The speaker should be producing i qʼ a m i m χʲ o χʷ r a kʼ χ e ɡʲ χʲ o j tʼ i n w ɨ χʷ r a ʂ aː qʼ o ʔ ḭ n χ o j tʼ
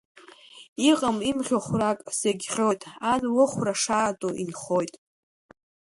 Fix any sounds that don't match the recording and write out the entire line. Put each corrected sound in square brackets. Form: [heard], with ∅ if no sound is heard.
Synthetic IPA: i qʼ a m i m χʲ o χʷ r a kʼ [s] e ɡʲ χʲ o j tʼ [a] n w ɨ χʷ r a ʂ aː [tʼ] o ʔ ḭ n χ o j tʼ